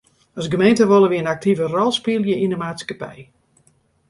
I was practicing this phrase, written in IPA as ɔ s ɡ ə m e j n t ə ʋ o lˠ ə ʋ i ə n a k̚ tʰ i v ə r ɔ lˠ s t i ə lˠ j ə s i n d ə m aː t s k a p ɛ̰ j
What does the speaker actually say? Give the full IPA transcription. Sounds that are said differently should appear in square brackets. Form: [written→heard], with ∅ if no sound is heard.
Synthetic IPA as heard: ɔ s ɡ ə m e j n t ə ʋ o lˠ ə ʋ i ə n a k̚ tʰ i v ə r ɔ lˠ s [t→p] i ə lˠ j ə [s→∅] i n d ə m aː t s k a p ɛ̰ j